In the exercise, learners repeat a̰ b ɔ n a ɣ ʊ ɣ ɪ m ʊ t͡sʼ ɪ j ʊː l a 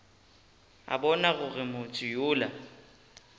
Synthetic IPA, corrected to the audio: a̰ b ɔ n a ɣ ʊ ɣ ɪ m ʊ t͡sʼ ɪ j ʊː l a